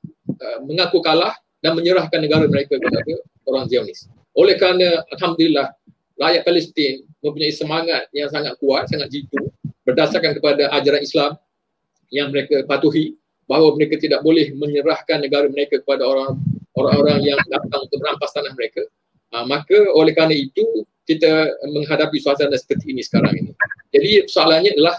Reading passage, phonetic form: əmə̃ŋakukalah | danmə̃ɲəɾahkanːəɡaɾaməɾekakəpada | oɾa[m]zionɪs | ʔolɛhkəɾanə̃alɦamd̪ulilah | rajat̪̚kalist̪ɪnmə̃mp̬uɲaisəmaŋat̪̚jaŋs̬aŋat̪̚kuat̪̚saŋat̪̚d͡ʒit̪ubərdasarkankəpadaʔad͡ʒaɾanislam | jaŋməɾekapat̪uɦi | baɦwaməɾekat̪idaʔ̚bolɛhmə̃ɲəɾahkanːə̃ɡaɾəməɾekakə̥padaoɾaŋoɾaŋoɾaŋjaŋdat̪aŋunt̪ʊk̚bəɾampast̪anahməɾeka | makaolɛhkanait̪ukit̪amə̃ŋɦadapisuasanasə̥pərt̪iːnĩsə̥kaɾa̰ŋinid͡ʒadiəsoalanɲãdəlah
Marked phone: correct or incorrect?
incorrect